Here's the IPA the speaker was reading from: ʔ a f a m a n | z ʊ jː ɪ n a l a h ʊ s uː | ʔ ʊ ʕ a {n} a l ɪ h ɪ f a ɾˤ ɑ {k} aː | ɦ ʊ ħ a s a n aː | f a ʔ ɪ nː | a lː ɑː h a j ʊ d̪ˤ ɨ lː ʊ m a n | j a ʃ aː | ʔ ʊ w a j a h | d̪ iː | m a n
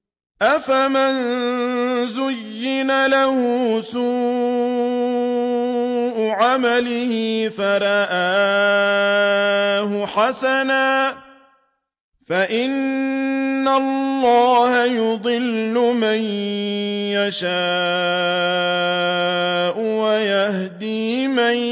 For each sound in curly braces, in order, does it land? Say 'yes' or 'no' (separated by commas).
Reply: no, no